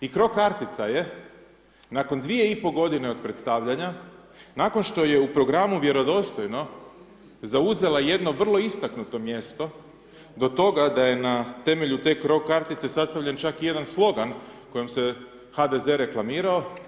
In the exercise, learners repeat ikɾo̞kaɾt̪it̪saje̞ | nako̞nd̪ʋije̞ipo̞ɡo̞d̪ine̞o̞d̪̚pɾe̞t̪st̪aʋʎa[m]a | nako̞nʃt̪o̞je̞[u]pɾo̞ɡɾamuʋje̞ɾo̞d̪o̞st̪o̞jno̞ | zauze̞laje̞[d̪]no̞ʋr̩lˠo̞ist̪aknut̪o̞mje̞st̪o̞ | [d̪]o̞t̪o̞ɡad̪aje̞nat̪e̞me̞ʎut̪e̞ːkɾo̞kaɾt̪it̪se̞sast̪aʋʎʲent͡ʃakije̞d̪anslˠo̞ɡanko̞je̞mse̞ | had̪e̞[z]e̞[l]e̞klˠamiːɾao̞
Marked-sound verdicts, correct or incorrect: incorrect: ɲ, correct, correct, correct, correct, incorrect: ɾ

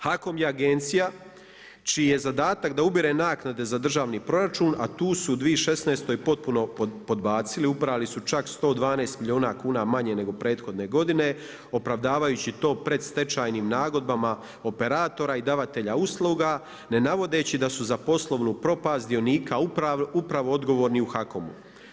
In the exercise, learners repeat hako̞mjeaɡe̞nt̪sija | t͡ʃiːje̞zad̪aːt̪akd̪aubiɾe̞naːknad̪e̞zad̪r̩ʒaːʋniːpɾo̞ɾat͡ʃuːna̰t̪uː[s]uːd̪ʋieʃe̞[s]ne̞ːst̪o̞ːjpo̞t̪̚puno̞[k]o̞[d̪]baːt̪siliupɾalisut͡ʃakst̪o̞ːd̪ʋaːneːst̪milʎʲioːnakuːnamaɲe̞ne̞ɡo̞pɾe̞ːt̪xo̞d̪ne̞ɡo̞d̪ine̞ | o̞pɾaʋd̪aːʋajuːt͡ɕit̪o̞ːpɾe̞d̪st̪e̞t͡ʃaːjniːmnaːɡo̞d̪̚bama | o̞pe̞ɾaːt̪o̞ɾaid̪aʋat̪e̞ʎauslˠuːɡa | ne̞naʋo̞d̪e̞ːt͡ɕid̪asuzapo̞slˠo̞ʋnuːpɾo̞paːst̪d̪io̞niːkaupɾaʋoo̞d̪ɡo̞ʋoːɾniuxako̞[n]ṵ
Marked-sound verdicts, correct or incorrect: correct, correct, incorrect: p, correct, incorrect: m

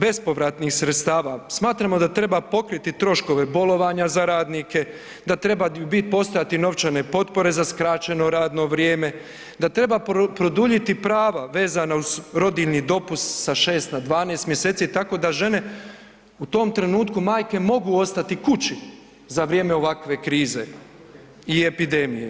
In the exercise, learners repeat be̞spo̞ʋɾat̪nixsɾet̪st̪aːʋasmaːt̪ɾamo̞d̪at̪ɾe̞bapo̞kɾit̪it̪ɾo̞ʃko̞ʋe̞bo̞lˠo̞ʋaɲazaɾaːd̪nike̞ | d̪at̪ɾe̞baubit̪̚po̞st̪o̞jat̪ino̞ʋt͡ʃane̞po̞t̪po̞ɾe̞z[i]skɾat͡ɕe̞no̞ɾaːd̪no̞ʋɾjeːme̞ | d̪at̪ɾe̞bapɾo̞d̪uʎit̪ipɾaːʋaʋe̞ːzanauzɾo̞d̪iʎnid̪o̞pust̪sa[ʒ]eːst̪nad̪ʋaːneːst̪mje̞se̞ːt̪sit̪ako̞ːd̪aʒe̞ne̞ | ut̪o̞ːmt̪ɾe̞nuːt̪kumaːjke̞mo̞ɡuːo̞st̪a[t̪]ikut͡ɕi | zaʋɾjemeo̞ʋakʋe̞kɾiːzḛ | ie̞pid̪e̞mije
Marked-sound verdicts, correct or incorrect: incorrect: a, incorrect: ʃ, correct

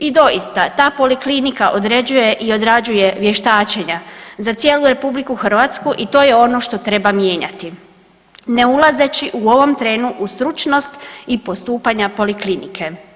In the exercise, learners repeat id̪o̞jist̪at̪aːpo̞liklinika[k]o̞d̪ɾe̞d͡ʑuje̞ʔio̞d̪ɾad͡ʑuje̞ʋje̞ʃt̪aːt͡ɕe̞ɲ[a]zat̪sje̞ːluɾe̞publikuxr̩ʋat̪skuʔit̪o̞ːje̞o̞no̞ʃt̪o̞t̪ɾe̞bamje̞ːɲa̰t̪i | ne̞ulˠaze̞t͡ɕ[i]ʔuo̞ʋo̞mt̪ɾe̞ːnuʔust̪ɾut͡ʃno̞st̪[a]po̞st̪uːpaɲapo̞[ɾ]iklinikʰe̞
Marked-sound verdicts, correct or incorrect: incorrect: ʔ, correct, correct, incorrect: i, incorrect: l

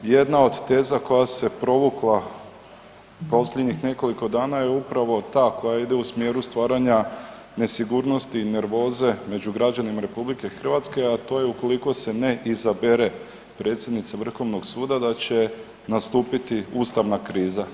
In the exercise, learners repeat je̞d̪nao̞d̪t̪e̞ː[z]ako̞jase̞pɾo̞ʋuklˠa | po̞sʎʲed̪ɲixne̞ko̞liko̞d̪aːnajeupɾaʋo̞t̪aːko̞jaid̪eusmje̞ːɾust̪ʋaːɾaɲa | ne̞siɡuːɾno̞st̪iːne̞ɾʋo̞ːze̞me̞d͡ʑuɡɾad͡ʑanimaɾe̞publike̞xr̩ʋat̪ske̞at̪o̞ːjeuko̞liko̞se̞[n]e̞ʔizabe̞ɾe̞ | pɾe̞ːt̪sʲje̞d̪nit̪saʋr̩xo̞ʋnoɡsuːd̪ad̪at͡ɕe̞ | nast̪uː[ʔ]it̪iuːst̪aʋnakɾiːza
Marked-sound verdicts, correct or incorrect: correct, correct, incorrect: p

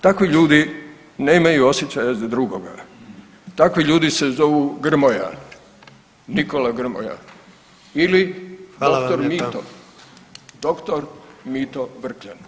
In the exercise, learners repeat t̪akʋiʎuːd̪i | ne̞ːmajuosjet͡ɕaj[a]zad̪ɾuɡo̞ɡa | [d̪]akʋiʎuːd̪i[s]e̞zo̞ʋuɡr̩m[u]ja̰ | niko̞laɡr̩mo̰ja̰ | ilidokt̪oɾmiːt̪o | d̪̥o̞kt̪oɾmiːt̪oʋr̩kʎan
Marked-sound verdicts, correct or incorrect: correct, incorrect: t̪, correct, incorrect: o

